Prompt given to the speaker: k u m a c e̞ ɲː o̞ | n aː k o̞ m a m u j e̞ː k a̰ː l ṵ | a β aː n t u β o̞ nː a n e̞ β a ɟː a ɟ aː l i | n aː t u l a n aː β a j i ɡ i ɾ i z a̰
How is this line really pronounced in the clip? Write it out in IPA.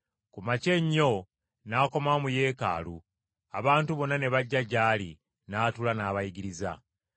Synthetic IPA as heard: k u m a c e̞ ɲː o̞ | n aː k o̞ m a m u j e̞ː k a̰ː l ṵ | a β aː n t u β o̞ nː a n e̞ β a ɟː a ɟ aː l i | n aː t u l a n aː β a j i ɡ i ɾ i z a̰